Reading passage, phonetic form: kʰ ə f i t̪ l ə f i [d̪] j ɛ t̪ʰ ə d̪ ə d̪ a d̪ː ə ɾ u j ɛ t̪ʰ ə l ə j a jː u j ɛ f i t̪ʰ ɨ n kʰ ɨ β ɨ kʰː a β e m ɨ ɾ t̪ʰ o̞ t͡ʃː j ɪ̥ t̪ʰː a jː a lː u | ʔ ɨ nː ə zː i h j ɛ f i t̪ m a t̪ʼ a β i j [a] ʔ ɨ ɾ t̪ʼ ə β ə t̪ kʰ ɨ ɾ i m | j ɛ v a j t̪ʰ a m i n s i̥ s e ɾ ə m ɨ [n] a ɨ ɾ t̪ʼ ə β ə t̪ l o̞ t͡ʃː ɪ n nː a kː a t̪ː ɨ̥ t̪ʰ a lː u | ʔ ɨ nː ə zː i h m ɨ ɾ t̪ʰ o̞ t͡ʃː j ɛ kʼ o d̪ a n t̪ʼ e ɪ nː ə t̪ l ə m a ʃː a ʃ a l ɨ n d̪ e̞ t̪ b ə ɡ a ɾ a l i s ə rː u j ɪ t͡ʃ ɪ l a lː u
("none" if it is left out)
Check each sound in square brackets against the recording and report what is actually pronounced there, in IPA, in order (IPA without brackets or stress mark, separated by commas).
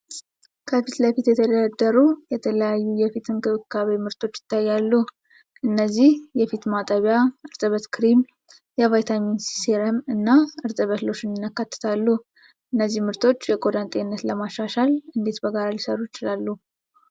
t̪, a, nː